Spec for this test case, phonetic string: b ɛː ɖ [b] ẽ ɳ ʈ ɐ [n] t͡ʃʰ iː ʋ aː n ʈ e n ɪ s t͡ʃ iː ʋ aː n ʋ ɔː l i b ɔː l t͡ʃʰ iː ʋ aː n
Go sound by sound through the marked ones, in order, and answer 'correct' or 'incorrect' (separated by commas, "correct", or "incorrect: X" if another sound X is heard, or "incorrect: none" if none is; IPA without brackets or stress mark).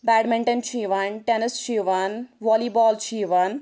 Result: incorrect: m, correct